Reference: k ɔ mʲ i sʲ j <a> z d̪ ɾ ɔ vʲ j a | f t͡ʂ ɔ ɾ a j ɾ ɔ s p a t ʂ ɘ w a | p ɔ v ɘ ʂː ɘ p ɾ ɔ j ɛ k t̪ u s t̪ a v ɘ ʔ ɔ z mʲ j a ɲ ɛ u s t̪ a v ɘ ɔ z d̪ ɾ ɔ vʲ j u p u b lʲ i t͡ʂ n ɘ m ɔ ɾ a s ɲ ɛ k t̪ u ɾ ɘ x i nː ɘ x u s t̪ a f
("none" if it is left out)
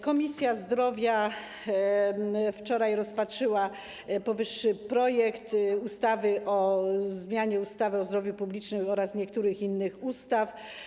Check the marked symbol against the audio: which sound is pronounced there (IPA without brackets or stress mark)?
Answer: a